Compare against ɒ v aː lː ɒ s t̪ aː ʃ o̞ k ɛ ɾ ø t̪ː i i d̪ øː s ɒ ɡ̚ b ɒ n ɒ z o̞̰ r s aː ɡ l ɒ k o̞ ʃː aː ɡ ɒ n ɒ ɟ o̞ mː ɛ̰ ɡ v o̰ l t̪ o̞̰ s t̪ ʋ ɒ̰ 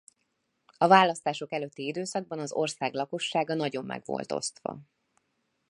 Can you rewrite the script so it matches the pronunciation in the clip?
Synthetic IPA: ɒ v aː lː ɒ s t̪ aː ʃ o̞ k ɛ l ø t̪ː i i d̪ øː s ɒ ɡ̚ b ɒ n ɒ z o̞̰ r s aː ɡ l ɒ k o̞ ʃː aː ɡ ɒ n ɒ ɟ o̞ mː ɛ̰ ɡ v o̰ l t̪ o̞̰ s t̪ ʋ ɒ̰